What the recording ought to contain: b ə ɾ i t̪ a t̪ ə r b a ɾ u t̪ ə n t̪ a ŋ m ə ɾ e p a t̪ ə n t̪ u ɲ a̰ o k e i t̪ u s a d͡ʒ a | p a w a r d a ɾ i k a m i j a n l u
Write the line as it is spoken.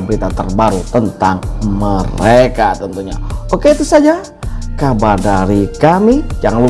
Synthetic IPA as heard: b ə ɾ i t̪ a t̪ ə r b a ɾ u t̪ ə n t̪ a ŋ m ə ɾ e k a t̪ ə n t̪ u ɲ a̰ o k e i t̪ u s a d͡ʒ a | k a b a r d a ɾ i k a m i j a ŋ l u